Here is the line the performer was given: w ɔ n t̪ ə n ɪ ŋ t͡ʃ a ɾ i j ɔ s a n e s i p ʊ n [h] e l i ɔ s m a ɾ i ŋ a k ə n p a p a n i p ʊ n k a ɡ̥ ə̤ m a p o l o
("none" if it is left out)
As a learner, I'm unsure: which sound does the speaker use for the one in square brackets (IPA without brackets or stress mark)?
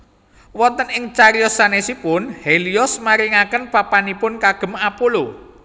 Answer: h